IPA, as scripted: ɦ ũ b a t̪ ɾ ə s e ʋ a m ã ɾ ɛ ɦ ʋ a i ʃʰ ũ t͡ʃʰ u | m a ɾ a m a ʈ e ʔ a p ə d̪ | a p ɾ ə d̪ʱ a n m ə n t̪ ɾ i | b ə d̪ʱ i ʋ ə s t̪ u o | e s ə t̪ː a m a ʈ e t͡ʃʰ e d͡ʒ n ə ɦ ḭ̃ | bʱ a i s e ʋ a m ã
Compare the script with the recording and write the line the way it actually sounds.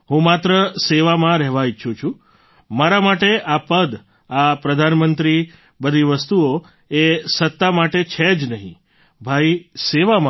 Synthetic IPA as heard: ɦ ũ m a t̪ ɾ ə s e ʋ a m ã ɾ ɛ ɦ ʋ a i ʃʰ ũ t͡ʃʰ u | m a ɾ a m a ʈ e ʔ a p ə d̪ | a p ɾ ə d̪ʱ a n m ə n t̪ ɾ i | b ə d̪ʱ i ʋ ə s t̪ u o | e s ə t̪ː a m a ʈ e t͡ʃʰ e d͡ʒ n ə ɦ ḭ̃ | bʱ a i s e ʋ a m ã